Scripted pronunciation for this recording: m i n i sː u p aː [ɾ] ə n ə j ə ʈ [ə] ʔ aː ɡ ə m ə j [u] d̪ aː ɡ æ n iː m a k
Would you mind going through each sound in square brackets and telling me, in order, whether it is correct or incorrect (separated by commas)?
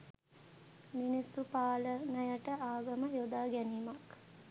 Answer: incorrect, correct, incorrect